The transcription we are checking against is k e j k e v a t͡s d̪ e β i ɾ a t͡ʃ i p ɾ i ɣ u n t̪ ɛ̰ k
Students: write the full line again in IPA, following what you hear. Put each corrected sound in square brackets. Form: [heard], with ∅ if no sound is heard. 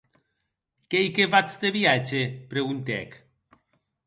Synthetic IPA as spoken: k e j k e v a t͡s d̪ e β i [∅] a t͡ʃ [e] p ɾ [e] ɣ u n t̪ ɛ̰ k